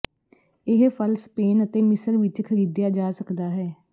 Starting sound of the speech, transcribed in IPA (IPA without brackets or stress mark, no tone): ɪ